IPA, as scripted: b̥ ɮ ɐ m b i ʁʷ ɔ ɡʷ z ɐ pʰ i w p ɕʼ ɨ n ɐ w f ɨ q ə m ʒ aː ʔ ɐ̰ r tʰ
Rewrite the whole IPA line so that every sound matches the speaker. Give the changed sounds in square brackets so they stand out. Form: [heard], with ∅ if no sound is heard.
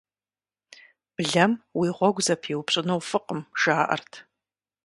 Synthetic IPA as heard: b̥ ɮ ɐ m [w] i ʁʷ ɔ ɡʷ z ɐ pʰ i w p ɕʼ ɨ n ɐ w f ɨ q ə m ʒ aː ʔ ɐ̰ r tʰ